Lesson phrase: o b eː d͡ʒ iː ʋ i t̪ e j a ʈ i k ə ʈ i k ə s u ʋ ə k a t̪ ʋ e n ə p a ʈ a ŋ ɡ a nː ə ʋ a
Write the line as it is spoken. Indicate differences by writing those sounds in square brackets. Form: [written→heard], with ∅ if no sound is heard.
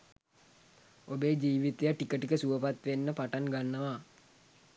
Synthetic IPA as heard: o b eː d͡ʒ iː ʋ i t̪ e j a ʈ i k ə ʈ i k ə s u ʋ ə [k→p] a t̪ ʋ e [n→nː] ə p a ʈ a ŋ ɡ a nː ə ʋ a